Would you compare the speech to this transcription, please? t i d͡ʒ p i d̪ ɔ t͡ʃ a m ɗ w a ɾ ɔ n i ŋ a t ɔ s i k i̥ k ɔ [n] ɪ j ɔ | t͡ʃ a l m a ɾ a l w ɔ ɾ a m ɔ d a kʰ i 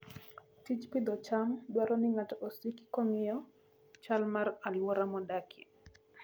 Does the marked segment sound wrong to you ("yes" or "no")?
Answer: yes